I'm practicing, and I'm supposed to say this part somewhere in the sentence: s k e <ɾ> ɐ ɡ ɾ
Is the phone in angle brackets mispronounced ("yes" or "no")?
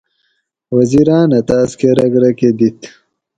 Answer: no